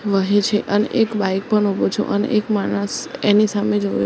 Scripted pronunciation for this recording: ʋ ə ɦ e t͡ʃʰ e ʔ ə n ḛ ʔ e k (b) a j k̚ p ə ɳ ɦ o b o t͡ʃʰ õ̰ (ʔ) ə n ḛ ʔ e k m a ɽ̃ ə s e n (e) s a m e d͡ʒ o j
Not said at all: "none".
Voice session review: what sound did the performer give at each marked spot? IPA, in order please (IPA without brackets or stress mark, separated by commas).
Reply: b, ʔ, i